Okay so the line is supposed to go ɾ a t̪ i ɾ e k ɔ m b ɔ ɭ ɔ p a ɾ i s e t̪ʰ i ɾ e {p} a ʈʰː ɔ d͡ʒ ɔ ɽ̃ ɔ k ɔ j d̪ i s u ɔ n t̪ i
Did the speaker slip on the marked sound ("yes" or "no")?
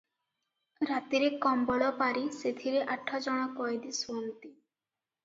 yes